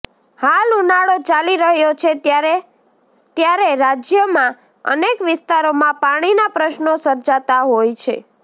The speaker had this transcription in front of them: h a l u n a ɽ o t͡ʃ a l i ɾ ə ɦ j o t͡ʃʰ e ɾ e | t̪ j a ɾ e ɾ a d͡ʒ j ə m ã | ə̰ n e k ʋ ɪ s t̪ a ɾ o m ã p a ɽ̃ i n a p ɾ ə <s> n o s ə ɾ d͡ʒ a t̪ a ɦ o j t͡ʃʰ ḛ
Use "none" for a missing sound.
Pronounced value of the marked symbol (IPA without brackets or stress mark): ʃ